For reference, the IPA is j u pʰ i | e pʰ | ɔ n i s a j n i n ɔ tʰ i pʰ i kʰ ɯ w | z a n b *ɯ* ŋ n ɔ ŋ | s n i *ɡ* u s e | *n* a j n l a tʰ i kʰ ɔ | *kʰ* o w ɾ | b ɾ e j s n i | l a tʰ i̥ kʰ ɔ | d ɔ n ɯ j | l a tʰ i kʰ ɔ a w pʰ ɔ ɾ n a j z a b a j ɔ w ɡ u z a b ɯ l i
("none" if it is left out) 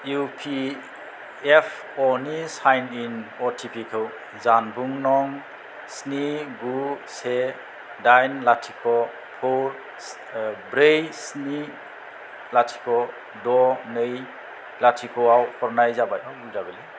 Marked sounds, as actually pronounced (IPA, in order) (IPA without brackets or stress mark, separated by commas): u, ɡ, d, pʰ